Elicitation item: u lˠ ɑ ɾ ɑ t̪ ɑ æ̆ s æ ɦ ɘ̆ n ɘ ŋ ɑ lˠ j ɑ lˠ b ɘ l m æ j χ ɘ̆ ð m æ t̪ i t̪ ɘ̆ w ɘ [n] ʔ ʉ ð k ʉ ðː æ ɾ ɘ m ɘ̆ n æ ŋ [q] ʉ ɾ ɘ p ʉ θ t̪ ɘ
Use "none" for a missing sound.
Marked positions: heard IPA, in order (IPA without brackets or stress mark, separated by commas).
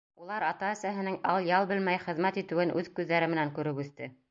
n, k